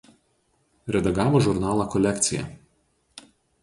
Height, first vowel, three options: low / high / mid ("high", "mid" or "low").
mid